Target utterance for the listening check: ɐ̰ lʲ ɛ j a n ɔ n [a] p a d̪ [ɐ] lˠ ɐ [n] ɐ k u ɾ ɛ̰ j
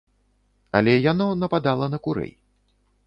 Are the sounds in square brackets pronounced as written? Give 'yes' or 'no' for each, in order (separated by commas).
no, no, yes